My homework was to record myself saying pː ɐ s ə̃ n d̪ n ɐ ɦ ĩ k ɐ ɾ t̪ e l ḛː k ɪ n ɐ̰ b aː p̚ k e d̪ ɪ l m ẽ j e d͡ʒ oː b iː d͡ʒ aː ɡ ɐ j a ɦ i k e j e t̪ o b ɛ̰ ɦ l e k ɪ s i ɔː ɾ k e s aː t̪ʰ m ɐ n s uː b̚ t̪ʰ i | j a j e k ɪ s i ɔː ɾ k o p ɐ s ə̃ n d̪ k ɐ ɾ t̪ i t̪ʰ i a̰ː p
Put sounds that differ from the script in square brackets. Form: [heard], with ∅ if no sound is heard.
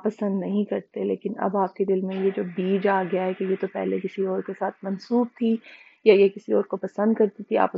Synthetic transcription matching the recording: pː ɐ s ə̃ n d̪ n ɐ ɦ ĩ k ɐ ɾ t̪ e l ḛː k ɪ n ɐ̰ b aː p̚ k e d̪ ɪ l m ẽ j e d͡ʒ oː b iː d͡ʒ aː ɡ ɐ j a ɦ [ɛ] k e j e t̪ o [p] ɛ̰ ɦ l e k ɪ s i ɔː ɾ k e s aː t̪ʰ m ɐ n s uː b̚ t̪ʰ i | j a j e k ɪ s i ɔː ɾ k o p ɐ s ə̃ n d̪ k ɐ ɾ t̪ i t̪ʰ i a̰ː p